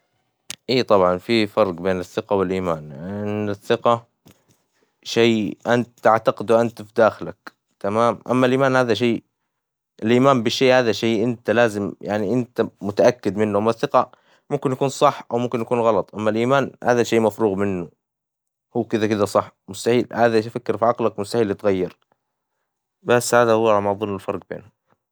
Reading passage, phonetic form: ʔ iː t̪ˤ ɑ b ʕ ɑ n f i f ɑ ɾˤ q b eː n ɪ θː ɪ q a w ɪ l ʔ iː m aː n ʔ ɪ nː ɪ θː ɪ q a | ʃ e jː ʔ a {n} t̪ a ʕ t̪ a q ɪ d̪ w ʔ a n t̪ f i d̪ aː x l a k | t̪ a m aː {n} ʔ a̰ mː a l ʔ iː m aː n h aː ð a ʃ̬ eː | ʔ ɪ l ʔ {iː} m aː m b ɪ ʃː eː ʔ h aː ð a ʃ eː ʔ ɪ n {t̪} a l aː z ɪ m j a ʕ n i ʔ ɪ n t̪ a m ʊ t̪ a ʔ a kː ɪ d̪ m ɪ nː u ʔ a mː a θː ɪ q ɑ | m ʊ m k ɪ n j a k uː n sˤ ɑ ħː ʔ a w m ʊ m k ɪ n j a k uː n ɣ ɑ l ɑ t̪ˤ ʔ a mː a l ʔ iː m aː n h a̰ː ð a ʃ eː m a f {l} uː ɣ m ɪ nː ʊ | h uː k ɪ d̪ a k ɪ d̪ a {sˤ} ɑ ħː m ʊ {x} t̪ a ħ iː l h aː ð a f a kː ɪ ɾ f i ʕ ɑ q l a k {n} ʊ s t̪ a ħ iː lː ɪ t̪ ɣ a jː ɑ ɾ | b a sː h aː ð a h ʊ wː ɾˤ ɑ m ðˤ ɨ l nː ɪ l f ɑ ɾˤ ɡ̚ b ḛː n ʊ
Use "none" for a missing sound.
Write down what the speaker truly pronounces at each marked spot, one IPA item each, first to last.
n, m, iː, t̪, ɾ, sˤ, s, m

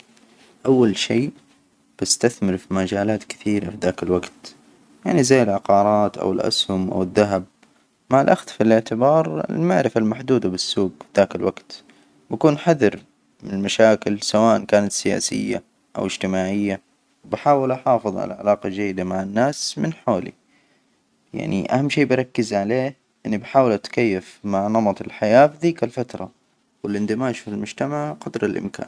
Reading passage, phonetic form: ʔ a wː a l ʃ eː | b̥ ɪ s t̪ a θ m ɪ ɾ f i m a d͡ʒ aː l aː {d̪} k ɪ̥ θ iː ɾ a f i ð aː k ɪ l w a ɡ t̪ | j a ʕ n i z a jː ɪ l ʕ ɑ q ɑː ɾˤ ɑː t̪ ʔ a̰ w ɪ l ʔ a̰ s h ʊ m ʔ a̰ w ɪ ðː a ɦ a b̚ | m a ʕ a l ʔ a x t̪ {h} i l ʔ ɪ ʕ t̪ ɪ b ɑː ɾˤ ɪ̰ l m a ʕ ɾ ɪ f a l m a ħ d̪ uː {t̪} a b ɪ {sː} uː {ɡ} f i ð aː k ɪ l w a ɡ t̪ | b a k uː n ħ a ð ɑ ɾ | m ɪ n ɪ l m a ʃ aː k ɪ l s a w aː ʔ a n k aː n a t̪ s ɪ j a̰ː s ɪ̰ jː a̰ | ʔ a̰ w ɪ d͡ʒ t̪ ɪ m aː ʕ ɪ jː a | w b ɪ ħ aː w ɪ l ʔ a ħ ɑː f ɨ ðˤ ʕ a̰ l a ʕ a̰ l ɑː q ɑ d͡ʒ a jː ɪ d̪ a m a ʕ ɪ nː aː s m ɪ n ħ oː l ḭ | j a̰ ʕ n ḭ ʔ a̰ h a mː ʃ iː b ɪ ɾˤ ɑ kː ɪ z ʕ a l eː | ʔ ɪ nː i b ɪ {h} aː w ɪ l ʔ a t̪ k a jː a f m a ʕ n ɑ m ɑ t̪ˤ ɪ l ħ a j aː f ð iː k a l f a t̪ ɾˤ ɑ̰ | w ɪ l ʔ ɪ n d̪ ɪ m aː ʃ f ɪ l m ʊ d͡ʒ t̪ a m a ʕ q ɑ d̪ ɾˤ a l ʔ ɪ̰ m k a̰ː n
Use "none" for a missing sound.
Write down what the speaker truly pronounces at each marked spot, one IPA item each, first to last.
t̪, f, d̪, sː, ɡ, ħ

